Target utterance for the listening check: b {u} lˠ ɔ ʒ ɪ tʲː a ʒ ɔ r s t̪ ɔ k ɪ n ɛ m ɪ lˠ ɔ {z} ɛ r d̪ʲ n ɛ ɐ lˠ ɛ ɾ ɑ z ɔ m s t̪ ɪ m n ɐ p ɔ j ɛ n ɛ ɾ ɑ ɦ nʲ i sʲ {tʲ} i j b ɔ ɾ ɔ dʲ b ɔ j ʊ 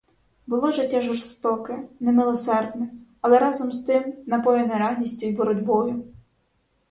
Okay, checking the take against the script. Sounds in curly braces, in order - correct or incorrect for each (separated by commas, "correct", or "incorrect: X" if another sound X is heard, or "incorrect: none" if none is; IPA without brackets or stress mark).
incorrect: ʊ, incorrect: s, correct